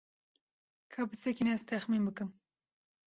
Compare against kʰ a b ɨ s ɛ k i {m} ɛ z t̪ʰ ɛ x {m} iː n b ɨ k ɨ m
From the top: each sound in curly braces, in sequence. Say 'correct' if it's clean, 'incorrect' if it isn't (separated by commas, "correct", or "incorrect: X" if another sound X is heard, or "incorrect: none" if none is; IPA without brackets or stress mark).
incorrect: n, correct